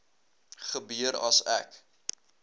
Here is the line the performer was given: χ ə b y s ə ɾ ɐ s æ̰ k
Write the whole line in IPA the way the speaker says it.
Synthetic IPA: χ ə b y ə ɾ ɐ s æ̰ k

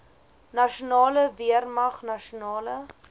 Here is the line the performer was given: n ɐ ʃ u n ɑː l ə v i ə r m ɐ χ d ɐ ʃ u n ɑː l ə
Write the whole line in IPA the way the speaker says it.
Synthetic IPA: n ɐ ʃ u n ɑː l ə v i ə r m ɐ χ n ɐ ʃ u n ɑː l ə

